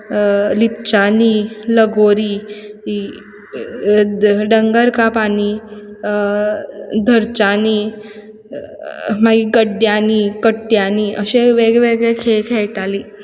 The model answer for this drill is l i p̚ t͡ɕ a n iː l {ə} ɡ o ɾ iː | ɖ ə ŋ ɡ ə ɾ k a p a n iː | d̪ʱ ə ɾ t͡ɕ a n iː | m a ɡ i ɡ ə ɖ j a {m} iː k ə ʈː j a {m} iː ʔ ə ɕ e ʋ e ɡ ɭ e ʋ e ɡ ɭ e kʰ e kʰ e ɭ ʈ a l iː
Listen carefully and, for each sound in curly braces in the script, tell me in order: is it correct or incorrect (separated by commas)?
correct, incorrect, incorrect